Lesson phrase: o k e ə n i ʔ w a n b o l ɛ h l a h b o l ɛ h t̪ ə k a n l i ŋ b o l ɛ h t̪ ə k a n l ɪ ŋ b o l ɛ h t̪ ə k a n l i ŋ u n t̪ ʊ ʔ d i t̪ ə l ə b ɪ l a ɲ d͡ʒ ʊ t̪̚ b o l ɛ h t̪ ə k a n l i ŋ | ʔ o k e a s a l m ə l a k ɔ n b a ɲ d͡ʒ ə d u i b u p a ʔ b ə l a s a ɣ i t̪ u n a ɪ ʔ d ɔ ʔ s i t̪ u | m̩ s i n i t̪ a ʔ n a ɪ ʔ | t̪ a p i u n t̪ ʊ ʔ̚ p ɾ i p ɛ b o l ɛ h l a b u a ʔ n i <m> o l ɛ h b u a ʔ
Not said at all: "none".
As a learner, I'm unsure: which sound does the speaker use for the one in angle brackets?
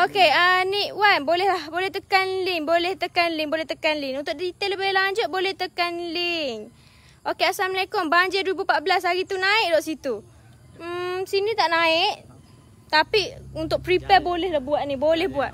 b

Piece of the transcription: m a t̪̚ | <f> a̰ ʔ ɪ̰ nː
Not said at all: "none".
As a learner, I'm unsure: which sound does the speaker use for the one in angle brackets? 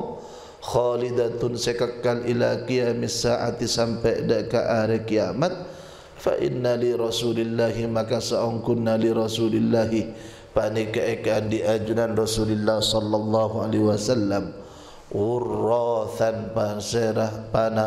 f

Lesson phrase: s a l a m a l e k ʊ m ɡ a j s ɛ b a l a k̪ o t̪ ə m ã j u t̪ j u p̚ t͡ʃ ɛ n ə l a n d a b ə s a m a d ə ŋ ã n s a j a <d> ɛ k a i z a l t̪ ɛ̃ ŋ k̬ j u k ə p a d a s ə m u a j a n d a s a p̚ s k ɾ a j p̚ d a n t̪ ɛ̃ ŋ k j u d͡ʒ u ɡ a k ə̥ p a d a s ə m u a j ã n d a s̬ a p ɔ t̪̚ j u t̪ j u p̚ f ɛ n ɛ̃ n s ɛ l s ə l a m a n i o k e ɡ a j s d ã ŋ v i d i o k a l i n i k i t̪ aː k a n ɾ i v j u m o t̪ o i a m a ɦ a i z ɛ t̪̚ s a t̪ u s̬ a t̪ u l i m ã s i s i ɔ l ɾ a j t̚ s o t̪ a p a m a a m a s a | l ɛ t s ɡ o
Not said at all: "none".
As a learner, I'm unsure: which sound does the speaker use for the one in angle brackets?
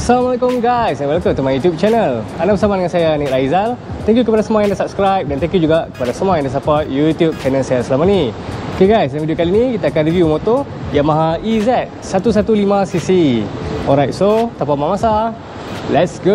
n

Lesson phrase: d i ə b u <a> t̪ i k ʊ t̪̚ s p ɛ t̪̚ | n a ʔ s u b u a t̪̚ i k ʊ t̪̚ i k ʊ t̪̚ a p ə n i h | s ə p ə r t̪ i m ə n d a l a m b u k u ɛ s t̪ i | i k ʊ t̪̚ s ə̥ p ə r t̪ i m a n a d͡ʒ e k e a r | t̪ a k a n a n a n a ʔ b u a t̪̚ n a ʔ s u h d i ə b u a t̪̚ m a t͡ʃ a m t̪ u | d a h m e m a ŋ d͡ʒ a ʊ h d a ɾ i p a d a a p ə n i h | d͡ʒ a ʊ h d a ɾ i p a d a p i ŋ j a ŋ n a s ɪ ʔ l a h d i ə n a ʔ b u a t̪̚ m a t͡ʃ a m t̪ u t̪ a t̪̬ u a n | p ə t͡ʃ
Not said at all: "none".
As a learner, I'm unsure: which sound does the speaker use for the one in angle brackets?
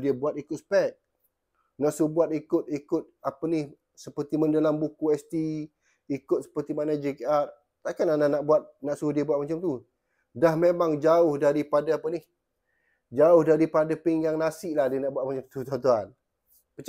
a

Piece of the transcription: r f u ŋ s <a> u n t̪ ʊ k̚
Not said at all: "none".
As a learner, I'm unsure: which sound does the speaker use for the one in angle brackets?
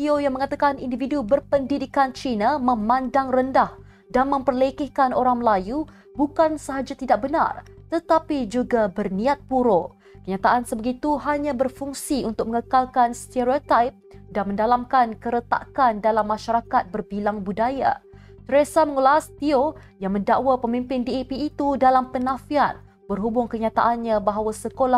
i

